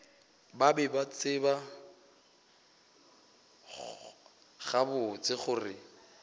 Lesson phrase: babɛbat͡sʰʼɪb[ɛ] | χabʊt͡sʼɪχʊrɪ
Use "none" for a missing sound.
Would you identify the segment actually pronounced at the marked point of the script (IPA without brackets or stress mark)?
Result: a